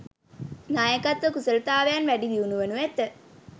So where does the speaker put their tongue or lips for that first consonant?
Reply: tongue tip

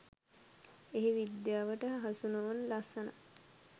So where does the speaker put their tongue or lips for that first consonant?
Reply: throat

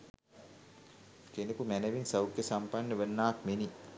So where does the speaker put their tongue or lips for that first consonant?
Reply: velum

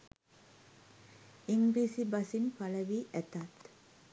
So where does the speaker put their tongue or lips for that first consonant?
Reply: velum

